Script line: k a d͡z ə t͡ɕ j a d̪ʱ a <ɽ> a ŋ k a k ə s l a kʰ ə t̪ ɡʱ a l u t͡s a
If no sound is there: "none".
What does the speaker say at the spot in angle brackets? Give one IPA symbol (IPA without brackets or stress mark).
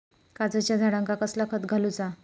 ɽ